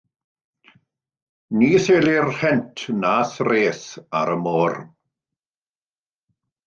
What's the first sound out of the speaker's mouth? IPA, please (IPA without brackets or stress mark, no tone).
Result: n